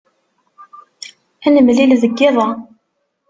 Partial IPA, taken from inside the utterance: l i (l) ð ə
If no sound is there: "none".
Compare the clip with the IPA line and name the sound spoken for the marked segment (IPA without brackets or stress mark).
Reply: l